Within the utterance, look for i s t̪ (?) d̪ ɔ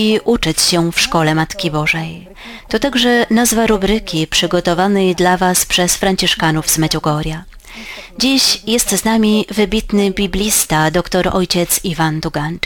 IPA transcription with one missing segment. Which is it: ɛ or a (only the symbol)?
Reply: a